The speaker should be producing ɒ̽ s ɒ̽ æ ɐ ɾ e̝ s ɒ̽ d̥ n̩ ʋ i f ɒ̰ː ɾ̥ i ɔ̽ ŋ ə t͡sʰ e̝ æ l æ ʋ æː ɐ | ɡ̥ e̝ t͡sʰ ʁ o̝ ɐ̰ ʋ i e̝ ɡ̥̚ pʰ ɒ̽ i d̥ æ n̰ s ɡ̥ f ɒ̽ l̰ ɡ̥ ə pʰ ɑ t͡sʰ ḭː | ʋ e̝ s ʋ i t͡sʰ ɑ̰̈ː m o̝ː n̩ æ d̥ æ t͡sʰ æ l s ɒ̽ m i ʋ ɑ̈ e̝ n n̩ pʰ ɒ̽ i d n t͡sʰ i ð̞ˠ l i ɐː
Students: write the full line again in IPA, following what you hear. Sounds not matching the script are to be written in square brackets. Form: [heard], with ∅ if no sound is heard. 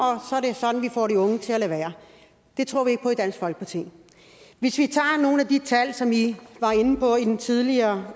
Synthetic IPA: ɒ̽ s ɒ̽ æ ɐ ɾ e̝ s ɒ̽ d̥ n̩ ʋ i f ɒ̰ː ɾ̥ i ɔ̽ ŋ ə t͡sʰ e̝ æ l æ ʋ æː ɐ | [d̥] e̝ t͡sʰ ʁ o̝ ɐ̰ ʋ i e̝ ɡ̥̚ pʰ ɒ̽ i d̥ æ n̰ s ɡ̥ f ɒ̽ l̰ ɡ̥ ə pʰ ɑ t͡sʰ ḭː | ʋ e̝ s ʋ i t͡sʰ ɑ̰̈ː [n] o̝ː n̩ æ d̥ [i] t͡sʰ æ l s ɒ̽ m i ʋ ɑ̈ e̝ n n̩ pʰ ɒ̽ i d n t͡sʰ i ð̞ˠ l i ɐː